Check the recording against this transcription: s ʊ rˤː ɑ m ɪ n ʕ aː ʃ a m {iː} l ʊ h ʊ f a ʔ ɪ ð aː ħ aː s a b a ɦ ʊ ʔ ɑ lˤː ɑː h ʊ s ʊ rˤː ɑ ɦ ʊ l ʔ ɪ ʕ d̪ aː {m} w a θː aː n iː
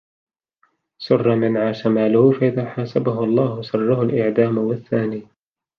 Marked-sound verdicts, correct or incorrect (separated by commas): incorrect, correct